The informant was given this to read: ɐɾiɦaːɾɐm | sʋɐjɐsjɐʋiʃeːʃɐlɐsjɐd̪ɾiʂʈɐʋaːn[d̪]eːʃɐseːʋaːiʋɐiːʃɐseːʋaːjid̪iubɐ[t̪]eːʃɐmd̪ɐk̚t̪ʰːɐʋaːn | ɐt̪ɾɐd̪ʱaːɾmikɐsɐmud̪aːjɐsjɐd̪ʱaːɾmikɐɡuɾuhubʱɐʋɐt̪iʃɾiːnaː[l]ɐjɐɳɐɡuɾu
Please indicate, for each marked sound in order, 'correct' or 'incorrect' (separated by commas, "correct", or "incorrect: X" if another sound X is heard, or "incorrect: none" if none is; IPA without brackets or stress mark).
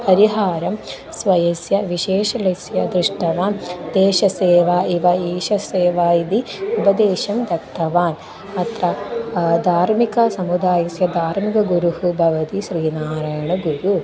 correct, incorrect: d̪, incorrect: ɾ